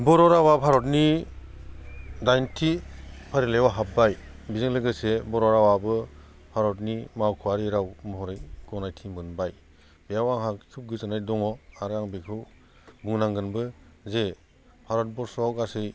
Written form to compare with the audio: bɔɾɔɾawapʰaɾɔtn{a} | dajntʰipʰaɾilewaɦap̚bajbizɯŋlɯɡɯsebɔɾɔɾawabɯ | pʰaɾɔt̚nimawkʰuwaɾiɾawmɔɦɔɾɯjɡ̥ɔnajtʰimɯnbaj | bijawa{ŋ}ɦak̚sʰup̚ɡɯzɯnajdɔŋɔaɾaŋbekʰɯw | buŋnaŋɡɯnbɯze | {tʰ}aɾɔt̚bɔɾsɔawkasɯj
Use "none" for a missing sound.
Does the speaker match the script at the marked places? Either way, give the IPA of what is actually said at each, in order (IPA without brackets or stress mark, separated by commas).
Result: i, ŋ, pʰ